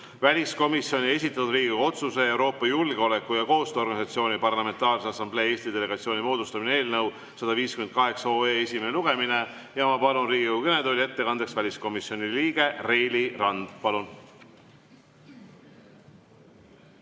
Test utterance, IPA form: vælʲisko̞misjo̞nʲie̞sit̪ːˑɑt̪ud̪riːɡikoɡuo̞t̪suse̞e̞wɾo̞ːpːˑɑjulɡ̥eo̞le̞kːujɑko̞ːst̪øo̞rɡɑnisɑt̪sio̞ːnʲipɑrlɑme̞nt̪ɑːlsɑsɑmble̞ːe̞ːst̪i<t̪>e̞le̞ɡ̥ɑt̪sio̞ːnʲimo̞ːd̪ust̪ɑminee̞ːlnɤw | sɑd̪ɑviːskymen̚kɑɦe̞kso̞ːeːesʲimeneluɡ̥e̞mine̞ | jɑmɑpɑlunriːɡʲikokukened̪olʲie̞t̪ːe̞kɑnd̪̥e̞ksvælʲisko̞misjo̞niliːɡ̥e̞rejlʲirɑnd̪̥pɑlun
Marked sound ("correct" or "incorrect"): incorrect